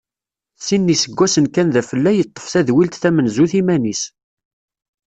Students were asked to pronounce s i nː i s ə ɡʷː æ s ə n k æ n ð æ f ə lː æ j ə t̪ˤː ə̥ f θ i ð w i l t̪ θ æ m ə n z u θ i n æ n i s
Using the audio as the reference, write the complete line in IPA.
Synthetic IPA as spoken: s i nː i s ə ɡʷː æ s ə n k æ n ð æ f ə lː æ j ə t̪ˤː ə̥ f θ æ ð w i l t̪ θ æ m ə n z u θ i m æ n i s